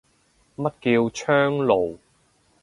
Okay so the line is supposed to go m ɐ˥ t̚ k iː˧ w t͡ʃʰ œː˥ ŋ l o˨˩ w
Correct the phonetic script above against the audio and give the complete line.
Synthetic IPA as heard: m ɐ˥ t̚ k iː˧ w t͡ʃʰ œː˥ ŋ l o˨˩ w